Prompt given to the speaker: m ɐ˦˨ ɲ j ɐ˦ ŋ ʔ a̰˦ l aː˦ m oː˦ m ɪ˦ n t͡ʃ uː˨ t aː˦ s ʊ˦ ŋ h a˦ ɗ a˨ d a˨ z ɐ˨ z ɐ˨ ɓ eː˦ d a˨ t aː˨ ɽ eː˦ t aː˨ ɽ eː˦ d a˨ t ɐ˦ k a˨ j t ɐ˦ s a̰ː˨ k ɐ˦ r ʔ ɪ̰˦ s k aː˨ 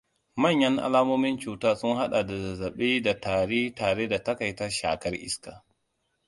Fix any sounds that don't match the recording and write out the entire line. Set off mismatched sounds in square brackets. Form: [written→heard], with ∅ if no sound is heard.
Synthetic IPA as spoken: m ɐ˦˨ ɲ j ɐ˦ ŋ ʔ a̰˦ l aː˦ m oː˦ m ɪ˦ n t͡ʃ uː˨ t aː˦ s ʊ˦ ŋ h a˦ ɗ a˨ d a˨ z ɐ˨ z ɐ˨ ɓ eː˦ d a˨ t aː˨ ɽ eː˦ t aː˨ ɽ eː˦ d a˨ t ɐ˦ k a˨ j t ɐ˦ [s→ʃ] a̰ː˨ k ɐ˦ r ʔ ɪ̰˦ s k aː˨

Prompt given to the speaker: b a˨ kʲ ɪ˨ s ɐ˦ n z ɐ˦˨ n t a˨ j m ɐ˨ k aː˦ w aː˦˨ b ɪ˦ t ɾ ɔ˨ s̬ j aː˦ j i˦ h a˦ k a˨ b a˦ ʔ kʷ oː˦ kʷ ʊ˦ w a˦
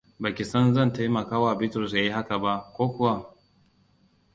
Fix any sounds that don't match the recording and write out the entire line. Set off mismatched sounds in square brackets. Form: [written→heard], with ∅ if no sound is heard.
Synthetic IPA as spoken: b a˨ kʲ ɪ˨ s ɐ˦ n z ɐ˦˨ n t [a˨→a˦] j m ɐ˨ k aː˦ w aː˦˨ b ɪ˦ t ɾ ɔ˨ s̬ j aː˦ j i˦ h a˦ k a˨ b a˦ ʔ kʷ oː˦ kʷ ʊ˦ w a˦

